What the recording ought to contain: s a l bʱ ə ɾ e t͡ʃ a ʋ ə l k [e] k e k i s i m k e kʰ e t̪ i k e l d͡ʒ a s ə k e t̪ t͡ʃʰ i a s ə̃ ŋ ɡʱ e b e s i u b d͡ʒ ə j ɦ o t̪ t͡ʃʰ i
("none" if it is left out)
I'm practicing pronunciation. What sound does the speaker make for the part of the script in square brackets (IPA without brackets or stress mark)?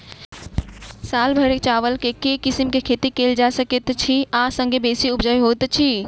e